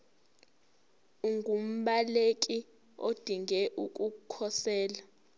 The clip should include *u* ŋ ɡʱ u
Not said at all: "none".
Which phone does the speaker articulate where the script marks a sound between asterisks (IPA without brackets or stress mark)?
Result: u